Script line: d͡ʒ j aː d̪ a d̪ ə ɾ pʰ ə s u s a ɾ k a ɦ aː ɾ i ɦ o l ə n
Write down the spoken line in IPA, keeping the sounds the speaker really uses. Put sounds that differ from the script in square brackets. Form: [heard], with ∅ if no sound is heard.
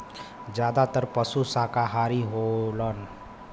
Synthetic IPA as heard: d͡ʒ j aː d̪ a [t̪] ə ɾ [p] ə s u s a [∅] k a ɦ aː ɾ i ɦ o l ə n